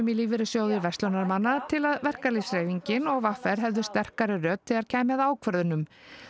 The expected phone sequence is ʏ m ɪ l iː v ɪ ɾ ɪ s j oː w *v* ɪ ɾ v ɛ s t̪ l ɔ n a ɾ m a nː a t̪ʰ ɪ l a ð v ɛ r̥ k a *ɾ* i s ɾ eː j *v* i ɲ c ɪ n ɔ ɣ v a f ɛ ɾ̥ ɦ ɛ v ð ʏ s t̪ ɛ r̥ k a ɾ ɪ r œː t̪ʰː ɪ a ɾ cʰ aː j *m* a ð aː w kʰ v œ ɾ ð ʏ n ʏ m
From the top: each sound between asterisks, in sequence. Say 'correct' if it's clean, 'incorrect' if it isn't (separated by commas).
incorrect, incorrect, correct, correct